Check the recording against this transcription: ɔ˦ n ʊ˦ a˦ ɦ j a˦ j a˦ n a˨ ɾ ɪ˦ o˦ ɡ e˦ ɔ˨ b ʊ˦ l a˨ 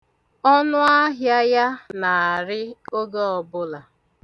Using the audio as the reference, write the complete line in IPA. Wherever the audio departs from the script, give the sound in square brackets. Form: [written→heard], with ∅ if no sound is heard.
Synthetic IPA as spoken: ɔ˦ n ʊ˦ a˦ ɦ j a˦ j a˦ n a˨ ɾ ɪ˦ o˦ ɡ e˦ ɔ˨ b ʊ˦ l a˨